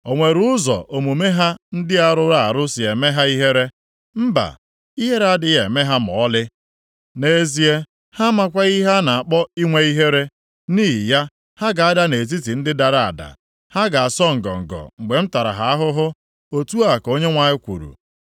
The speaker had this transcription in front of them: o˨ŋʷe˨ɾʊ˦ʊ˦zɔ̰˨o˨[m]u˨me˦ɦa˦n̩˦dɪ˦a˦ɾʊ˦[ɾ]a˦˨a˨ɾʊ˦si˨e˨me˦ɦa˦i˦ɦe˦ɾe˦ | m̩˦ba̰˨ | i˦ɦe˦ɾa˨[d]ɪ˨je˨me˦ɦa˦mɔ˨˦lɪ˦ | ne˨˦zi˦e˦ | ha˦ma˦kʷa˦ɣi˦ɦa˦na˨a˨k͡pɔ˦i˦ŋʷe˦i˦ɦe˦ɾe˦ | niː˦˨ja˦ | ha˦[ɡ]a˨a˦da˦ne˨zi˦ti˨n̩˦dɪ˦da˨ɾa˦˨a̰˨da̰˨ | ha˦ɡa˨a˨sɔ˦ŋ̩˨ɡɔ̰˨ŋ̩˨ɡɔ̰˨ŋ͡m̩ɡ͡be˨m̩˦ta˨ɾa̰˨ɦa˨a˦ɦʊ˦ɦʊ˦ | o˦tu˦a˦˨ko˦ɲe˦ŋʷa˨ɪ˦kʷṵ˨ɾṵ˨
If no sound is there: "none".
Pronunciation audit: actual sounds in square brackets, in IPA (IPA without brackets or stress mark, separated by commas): m, ɾ, d, ɡ